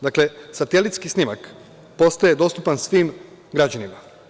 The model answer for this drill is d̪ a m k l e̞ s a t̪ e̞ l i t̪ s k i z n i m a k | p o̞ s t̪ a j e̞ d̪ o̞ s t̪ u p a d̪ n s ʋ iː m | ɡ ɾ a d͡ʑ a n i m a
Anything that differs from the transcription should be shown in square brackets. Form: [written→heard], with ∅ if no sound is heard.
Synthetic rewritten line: d̪ a [m→∅] k l e̞ s a t̪ e̞ l i t̪ s k i [z→s] n i m a k | p o̞ s t̪ a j e̞ d̪ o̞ s t̪ u p a [d̪→∅] n s ʋ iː m | ɡ ɾ a d͡ʑ a n i m a